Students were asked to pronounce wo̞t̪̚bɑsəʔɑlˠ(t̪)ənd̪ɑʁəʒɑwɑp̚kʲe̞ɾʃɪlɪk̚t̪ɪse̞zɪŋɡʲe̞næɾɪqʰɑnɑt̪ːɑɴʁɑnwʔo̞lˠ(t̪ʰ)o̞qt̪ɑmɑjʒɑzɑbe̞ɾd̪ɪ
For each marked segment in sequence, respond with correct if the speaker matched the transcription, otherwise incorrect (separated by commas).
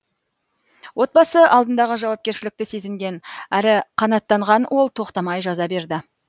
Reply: incorrect, correct